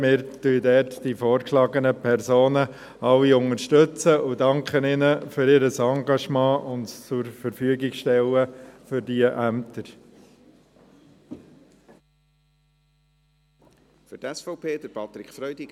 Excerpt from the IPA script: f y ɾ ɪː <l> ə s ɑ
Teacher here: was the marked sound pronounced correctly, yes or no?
no